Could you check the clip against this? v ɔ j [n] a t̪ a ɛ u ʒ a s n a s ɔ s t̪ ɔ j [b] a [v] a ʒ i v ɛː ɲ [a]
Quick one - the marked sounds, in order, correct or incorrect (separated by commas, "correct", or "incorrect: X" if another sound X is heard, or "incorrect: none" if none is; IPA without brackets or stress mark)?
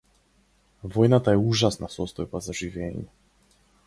correct, correct, incorrect: z, incorrect: ɛ